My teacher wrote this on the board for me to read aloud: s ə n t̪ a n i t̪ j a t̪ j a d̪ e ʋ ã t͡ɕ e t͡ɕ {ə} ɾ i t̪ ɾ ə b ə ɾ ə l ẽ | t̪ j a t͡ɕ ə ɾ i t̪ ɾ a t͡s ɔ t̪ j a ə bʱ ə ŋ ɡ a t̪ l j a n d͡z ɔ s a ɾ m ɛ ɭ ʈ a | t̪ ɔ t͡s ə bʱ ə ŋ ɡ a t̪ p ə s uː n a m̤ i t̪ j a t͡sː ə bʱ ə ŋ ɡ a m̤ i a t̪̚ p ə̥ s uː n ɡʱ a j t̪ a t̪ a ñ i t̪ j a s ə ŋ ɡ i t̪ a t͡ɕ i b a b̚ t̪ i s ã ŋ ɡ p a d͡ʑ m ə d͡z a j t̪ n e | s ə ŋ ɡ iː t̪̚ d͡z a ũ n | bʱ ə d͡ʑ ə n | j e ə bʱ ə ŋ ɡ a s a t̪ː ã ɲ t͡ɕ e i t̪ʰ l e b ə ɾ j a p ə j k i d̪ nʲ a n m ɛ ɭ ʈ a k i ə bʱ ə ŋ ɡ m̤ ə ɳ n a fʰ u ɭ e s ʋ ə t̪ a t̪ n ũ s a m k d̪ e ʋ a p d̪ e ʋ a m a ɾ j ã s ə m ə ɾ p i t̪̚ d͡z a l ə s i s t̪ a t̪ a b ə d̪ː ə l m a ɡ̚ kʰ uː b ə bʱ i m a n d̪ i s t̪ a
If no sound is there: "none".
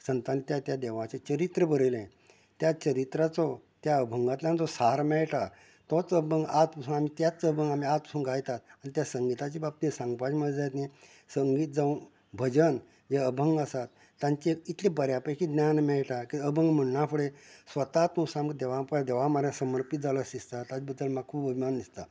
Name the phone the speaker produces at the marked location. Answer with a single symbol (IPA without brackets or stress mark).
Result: ə